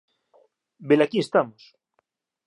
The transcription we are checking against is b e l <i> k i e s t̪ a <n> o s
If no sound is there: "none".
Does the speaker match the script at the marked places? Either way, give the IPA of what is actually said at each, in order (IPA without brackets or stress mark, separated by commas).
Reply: a, m